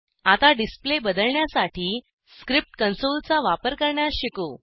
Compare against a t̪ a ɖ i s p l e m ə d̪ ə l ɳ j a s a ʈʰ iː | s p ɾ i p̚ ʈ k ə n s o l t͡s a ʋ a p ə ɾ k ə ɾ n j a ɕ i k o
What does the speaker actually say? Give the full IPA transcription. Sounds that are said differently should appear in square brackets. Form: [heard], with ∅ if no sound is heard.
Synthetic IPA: a t̪ a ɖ i s p l e [b] ə d̪ ə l ɳ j a s a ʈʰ iː | s [k] ɾ i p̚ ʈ k ə n s o l t͡s a ʋ a p ə ɾ k ə ɾ [ɳ] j a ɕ i k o